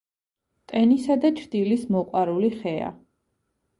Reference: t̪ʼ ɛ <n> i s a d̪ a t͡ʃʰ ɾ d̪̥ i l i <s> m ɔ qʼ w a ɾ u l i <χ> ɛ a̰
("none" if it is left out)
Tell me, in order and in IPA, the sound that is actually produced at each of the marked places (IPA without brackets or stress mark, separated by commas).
n, s, χ